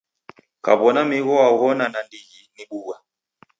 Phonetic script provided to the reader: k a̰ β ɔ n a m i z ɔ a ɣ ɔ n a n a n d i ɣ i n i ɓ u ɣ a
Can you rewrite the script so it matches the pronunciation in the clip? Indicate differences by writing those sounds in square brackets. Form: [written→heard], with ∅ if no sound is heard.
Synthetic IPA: k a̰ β ɔ n a m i [z→ɣ] ɔ a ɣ ɔ n a n a n d i ɣ i n i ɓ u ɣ a